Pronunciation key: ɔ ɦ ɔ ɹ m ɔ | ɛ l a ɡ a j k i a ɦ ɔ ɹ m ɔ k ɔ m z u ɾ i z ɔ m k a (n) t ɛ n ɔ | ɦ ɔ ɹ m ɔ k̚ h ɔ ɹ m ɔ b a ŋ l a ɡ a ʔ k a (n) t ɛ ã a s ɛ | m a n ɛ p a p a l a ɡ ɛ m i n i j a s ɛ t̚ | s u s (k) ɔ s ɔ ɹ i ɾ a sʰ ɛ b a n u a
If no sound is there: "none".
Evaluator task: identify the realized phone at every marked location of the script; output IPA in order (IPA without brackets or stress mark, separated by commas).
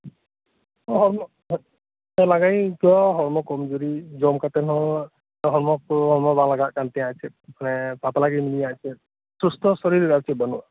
none, n, t